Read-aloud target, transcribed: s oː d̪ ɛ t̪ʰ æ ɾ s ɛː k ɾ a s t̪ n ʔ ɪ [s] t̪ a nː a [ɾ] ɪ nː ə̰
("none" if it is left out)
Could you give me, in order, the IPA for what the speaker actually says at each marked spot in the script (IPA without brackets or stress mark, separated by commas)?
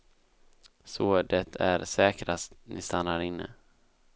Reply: s, ɾ